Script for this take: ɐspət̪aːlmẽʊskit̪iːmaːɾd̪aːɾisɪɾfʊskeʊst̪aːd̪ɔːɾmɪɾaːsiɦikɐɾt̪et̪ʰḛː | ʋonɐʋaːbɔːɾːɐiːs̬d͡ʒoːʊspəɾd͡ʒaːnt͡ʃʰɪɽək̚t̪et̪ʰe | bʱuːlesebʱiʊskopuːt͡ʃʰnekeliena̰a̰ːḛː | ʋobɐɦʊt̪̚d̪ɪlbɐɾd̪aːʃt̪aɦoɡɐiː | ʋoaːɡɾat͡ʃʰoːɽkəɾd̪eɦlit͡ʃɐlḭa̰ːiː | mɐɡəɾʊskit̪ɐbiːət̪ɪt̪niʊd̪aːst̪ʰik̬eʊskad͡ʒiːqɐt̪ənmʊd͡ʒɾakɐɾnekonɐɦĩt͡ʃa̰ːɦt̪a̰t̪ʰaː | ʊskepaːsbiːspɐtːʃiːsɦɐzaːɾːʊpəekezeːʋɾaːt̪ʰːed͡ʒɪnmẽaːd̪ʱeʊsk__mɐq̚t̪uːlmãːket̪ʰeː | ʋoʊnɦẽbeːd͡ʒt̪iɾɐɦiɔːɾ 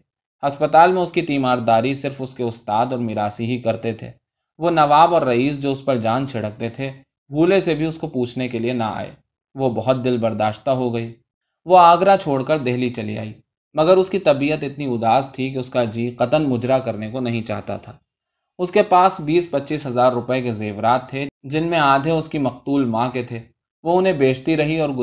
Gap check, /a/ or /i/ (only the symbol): i